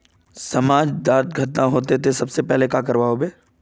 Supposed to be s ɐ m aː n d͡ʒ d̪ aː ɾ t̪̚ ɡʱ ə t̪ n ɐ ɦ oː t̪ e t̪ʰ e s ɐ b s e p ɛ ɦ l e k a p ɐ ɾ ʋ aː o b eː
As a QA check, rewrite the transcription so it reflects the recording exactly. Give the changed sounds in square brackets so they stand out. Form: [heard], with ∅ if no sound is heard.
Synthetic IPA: s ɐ m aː [∅] d͡ʒ d̪ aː ɾ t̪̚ ɡʱ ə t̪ n [a] ɦ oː t̪ e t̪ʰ e s ɐ b s e p ɛ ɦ l e k a [k] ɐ ɾ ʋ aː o b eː